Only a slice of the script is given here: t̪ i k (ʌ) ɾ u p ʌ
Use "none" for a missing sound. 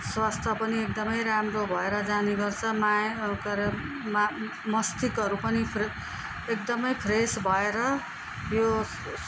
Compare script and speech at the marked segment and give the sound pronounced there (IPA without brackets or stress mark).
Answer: ʌ